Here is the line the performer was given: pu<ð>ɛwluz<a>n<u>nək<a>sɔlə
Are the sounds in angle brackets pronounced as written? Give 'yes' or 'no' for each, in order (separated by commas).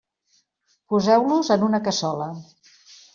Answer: no, no, yes, no